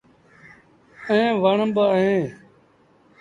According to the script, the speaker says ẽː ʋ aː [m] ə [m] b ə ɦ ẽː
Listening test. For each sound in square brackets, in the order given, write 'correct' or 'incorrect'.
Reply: incorrect: ɳ, correct

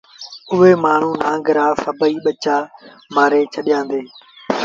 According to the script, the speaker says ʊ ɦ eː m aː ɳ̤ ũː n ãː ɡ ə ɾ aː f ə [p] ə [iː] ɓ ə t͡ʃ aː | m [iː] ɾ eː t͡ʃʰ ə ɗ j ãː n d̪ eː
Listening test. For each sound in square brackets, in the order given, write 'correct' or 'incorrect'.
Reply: incorrect: b, correct, incorrect: aː

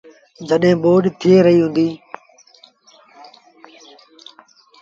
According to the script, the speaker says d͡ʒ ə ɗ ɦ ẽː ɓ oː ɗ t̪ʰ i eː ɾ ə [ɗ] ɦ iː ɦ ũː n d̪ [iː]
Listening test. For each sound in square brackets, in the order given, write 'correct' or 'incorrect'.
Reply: incorrect: none, correct

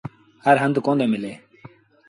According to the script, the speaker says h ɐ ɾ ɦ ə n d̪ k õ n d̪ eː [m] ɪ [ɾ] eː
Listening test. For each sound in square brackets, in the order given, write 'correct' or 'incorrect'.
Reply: correct, incorrect: l

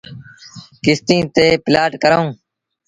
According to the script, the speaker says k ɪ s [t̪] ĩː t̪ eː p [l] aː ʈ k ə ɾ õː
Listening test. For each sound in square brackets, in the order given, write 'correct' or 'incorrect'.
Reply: correct, correct

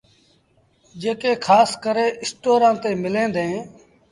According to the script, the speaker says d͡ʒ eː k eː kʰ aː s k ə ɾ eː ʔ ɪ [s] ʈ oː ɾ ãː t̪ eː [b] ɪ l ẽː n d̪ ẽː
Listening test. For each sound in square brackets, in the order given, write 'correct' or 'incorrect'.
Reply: correct, incorrect: m

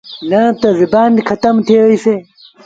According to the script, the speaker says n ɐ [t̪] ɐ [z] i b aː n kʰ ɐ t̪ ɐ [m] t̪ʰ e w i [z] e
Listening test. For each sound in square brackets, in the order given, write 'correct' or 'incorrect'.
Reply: correct, correct, correct, incorrect: s

